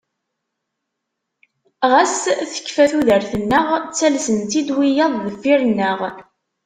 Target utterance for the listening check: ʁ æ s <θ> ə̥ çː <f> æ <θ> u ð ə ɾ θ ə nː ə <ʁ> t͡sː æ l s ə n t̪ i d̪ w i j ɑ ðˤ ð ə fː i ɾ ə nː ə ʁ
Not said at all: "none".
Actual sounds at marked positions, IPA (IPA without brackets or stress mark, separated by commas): θ, f, θ, ʁ